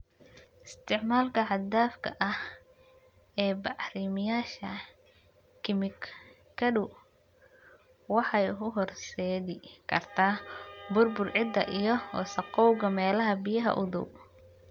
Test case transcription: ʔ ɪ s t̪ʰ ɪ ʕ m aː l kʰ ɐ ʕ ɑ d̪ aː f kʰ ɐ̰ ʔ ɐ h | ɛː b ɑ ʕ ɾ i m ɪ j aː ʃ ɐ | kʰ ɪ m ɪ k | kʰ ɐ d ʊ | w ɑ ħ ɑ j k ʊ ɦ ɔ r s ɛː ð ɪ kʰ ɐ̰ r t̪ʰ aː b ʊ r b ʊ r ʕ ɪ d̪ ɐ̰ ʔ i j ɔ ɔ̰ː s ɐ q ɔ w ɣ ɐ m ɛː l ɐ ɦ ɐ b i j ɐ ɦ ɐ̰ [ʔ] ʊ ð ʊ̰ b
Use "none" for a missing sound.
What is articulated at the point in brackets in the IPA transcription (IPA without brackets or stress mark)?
ʔ